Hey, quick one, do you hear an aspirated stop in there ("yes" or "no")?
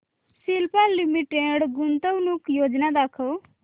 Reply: yes